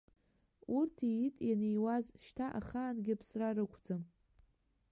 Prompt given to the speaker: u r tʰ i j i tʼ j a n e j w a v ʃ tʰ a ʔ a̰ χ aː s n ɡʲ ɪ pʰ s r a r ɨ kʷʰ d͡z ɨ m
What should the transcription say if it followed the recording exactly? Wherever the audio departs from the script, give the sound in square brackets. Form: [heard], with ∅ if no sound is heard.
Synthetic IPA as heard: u r tʰ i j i tʼ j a n e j w a [z] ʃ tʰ a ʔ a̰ χ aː [∅] n ɡʲ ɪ pʰ s r a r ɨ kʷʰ d͡z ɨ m